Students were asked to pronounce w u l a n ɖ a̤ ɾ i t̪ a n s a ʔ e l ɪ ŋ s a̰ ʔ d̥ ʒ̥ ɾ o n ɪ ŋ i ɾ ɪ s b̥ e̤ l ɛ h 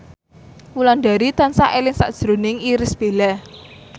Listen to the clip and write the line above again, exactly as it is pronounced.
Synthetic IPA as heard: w u l a n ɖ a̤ ɾ i t̪ a n s a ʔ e l ɪ ŋ s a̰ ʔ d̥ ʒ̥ ɾ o n ɪ ŋ i ɾ ɪ s b̥ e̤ l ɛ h